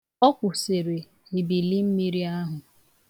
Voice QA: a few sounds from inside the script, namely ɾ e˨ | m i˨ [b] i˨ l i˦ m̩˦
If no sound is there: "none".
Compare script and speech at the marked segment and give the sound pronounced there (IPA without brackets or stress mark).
b